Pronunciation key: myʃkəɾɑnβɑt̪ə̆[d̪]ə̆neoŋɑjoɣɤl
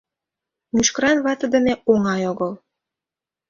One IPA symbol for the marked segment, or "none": d̪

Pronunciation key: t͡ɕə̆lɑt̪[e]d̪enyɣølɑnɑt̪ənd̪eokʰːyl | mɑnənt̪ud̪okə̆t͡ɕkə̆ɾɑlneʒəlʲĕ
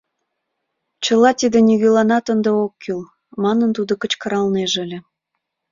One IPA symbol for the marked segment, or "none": i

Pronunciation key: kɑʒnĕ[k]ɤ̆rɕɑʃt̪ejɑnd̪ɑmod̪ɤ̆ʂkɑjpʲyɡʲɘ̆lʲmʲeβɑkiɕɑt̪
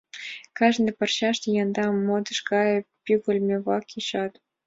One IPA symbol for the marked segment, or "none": p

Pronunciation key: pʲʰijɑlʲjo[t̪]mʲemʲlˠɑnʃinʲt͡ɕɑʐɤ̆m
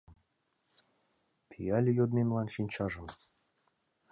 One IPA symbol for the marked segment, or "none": d̪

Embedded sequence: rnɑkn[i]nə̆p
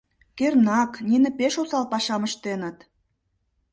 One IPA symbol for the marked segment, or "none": i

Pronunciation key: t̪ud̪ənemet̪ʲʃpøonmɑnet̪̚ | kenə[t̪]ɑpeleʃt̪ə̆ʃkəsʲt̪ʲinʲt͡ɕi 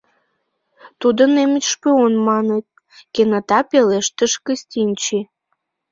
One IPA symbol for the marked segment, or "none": t̪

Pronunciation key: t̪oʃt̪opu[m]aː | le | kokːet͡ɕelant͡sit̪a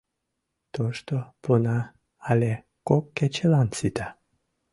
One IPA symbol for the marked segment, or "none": n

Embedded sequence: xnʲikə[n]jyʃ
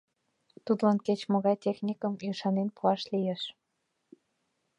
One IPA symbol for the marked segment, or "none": m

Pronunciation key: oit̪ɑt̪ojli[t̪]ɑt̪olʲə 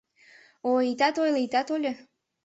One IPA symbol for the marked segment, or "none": t̪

